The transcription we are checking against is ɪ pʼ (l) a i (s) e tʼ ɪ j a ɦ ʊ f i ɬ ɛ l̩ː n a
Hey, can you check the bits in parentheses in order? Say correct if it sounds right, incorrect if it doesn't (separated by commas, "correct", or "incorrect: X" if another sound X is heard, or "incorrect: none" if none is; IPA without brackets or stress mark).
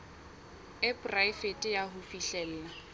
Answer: incorrect: r, incorrect: f